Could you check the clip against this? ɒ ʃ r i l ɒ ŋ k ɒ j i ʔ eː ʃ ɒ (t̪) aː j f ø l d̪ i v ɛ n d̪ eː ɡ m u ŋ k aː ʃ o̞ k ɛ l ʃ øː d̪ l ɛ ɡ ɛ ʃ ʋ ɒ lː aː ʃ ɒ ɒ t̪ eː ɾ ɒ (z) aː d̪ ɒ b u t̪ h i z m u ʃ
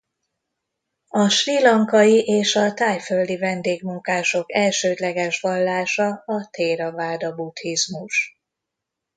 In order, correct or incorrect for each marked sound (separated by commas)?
correct, incorrect